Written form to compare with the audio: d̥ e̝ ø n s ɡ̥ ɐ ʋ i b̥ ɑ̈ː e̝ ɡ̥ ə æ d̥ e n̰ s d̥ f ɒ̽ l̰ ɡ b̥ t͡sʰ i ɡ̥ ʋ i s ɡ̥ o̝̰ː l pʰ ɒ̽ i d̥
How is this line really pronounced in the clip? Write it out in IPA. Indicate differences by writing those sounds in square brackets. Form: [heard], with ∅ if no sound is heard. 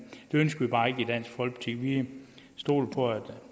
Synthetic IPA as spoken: d̥ e̝ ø n s ɡ̥ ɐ ʋ i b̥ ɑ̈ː e̝ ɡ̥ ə [i] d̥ [æ] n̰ s [ɡ̥] f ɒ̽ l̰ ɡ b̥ t͡sʰ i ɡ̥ ʋ i s [d̥] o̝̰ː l pʰ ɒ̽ [æ] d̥